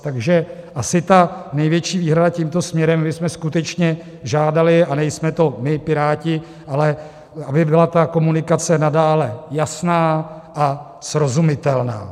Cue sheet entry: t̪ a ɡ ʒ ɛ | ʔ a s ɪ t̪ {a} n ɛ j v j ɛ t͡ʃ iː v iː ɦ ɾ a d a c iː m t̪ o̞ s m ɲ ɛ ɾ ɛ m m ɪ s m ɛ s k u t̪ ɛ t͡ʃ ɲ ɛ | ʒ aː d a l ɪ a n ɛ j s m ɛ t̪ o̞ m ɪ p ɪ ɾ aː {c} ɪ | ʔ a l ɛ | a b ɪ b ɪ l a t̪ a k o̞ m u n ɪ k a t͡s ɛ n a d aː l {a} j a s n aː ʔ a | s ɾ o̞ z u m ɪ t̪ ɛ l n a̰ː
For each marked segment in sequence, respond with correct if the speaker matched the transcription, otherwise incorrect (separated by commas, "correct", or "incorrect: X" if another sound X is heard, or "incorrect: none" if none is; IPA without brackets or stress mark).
correct, correct, incorrect: ɛ